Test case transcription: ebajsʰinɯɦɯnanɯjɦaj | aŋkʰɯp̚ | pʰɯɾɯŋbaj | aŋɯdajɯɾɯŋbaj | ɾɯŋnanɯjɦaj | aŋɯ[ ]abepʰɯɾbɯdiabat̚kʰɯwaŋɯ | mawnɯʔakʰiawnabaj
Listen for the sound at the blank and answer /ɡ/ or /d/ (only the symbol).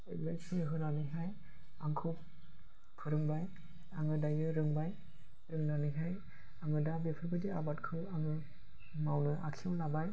d